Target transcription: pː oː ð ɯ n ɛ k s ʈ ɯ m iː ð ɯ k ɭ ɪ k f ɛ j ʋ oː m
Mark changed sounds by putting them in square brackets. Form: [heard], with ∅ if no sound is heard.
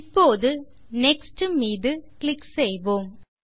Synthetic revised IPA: pː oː ð ɯ n ɛ k s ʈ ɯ m iː ð ɯ k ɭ ɪ k [s] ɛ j ʋ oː m